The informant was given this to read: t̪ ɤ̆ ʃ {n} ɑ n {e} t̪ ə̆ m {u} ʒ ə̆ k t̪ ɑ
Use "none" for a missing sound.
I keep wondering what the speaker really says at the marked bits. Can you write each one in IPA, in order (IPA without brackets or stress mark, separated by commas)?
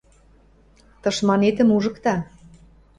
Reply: m, e, u